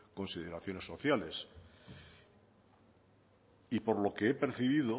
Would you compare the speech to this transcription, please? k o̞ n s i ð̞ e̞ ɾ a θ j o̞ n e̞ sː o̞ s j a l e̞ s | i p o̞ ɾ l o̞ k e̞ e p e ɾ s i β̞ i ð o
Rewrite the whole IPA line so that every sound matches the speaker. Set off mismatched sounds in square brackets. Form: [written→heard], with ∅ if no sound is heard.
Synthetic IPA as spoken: k o̞ n s i ð̞ e̞ ɾ a θ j o̞ n e̞ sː o̞ [s→θ] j a l e̞ s | i p o̞ ɾ l o̞ k e̞ e p e ɾ [s→θ] i β̞ i ð o